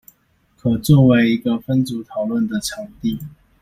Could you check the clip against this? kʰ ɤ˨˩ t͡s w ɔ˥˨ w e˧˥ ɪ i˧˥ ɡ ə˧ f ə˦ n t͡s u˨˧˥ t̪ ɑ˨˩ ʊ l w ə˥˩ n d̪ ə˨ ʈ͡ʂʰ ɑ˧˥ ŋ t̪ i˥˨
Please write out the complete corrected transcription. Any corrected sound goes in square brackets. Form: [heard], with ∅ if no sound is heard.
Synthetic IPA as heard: kʰ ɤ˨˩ t͡s w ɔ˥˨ w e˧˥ ɪ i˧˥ ɡ ə˧ f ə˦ n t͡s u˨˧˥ [t̪ʰ] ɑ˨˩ ʊ l w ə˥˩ n d̪ ə˨ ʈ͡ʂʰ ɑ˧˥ ŋ t̪ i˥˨